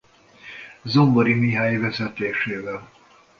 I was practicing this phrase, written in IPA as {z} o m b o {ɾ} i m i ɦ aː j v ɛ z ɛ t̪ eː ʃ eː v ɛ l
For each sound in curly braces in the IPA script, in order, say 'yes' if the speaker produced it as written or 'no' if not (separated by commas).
yes, yes